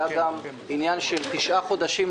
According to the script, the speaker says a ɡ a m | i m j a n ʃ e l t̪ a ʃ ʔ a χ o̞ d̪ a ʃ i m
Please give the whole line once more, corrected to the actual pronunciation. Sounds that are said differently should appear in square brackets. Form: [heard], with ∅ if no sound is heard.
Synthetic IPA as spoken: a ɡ a m | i [n] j a n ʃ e l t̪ [i] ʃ ʔ a χ o̞ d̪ a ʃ i m